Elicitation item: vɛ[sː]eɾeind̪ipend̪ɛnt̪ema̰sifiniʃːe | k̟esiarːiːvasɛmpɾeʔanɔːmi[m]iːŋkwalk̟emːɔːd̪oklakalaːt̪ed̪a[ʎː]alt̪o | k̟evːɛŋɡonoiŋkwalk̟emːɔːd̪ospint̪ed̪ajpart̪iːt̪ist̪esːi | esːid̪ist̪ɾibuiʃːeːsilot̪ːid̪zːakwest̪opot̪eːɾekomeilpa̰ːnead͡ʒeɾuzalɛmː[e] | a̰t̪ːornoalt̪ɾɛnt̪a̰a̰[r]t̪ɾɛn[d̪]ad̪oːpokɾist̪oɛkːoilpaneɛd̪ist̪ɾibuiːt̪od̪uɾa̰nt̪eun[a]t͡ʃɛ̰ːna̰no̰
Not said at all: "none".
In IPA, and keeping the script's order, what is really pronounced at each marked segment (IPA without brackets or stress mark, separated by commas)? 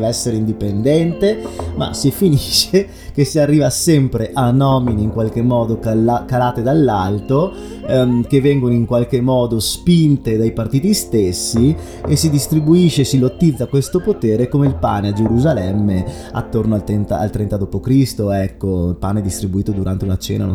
sː, n, lː, e, l, t̪, a